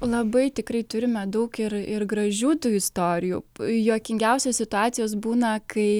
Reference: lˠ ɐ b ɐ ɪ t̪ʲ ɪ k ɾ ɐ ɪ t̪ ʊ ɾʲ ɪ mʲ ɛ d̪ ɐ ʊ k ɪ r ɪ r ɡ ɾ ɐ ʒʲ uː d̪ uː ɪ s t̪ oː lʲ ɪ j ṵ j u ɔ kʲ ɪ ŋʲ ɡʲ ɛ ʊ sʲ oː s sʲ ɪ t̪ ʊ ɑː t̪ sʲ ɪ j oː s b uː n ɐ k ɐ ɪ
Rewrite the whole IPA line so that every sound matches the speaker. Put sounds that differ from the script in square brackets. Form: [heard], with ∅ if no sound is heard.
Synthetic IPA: lˠ ɐ b ɐ ɪ t̪ʲ ɪ k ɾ ɐ ɪ t̪ ʊ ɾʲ ɪ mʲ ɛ d̪ ɐ ʊ k ɪ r ɪ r ɡ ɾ ɐ ʒʲ uː [t̪] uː ɪ s t̪ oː [ɾʲ] ɪ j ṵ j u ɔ kʲ ɪ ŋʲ ɡʲ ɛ ʊ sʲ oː s sʲ ɪ t̪ ʊ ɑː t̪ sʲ ɪ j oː s b uː n ɐ k ɐ ɪ